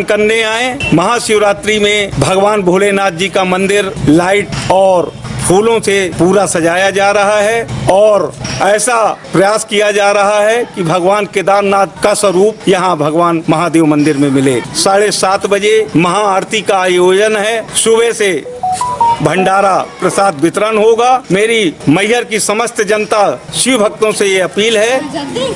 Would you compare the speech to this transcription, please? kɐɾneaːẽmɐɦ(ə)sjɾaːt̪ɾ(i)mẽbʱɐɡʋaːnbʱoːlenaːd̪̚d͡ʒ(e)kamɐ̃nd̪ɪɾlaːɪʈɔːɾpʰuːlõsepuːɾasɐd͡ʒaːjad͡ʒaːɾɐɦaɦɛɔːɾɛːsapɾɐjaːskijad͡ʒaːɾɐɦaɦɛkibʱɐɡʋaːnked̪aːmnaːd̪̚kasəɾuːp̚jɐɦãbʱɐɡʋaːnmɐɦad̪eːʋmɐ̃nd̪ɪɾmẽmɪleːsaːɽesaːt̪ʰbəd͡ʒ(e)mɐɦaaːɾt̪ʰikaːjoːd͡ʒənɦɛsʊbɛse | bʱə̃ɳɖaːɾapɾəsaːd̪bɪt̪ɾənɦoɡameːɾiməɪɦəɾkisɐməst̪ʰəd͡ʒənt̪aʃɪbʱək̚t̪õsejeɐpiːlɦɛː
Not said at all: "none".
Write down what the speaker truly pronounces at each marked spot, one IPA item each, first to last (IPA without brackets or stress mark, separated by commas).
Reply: a, i, i, e